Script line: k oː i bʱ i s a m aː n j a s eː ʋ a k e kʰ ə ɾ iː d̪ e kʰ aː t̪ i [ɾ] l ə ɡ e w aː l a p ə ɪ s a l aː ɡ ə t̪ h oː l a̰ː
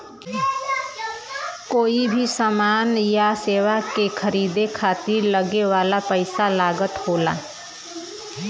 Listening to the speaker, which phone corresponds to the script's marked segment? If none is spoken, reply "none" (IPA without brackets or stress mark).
ɾ